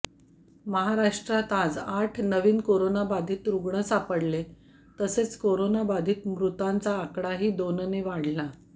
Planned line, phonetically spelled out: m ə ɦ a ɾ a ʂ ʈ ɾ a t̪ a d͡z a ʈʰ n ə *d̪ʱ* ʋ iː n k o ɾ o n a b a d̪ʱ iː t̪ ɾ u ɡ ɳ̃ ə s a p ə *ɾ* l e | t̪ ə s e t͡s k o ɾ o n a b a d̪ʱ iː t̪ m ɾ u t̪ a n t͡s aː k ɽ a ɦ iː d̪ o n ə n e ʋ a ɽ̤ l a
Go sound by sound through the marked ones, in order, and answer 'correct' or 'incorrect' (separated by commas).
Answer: incorrect, incorrect